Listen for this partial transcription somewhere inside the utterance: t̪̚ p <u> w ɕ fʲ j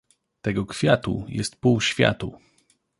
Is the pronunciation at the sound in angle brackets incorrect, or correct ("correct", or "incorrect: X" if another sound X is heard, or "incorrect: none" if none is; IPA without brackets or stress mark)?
correct